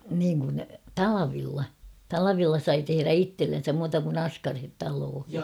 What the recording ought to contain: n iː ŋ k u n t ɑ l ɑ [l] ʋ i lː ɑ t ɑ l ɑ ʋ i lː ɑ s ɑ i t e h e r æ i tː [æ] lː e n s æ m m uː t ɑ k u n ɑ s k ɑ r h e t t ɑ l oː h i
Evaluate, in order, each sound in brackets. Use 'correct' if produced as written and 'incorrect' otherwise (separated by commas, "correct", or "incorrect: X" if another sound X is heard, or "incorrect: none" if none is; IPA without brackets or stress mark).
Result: incorrect: none, incorrect: e